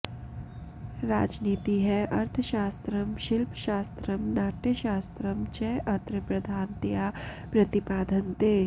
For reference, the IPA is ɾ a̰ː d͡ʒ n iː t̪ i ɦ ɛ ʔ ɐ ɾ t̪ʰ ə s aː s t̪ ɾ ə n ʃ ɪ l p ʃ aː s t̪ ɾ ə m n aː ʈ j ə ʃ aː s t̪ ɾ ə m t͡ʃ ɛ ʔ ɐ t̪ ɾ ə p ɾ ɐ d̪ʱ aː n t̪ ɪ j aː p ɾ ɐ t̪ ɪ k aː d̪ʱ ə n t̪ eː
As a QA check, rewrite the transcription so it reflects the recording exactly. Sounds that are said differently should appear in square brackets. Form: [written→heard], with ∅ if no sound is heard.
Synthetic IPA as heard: ɾ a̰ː d͡ʒ n iː t̪ i ɦ ɛ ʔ ɐ ɾ t̪ʰ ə [s→ʃ] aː s t̪ ɾ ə [n→m] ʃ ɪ l p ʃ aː s t̪ ɾ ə m n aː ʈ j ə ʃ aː s t̪ ɾ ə m t͡ʃ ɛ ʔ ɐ t̪ ɾ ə p ɾ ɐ d̪ʱ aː n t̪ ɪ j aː p ɾ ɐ t̪ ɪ [k→p] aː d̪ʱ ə n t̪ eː